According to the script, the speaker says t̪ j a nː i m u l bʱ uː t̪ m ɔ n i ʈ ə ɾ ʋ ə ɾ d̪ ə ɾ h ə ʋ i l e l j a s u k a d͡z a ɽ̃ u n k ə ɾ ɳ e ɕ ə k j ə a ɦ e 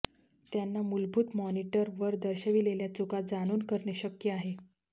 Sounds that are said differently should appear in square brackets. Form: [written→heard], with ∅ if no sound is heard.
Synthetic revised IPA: t̪ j a nː [i→a] m u l bʱ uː t̪ m ɔ n i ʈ ə ɾ ʋ ə ɾ d̪ ə ɾ [h→ɕ] ə ʋ i l e l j a [s→t͡s] u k a d͡z a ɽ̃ [u→uː] n k ə ɾ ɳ e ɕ ə k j ə a ɦ e